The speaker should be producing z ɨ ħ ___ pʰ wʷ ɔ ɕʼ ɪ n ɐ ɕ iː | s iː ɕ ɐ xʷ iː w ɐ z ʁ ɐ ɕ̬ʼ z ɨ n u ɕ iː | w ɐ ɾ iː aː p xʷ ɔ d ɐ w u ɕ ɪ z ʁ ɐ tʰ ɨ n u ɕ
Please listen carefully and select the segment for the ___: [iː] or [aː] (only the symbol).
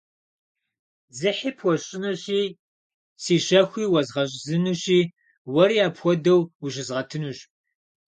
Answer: iː